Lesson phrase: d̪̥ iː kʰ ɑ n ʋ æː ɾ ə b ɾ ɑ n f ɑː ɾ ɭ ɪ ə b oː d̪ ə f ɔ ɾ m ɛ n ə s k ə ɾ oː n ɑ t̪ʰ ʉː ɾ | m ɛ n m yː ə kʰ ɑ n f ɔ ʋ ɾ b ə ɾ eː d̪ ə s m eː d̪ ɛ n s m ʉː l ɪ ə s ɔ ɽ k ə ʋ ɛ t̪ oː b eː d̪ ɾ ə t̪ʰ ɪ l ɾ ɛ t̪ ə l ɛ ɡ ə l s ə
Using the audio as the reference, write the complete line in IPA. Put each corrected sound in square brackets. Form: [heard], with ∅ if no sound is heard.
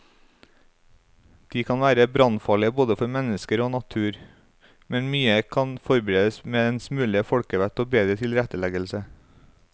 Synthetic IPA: d̪̥ iː kʰ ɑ n ʋ æː ɾ ə b ɾ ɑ n f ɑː [∅] ɭ ɪ ə b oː d̪ ə f ɔ ɾ m ɛ n ə s k ə ɾ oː n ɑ t̪ʰ ʉː ɾ | m ɛ n m yː ə kʰ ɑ n f ɔ [∅] ɾ b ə ɾ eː d̪ ə s m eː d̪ ɛ n s m ʉː l ɪ ə [f] ɔ ɽ k ə ʋ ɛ t̪ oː b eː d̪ ɾ ə t̪ʰ ɪ l ɾ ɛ t̪ ə l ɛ ɡ ə l s ə